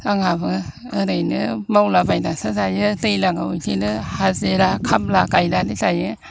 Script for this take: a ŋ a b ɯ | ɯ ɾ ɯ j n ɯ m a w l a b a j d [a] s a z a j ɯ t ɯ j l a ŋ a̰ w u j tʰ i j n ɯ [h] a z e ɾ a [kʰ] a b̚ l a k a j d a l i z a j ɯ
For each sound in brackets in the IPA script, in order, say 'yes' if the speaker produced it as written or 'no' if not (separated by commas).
yes, yes, yes